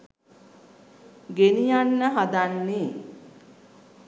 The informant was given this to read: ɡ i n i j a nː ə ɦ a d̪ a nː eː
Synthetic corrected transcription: ɡ e n i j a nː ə ɦ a d̪ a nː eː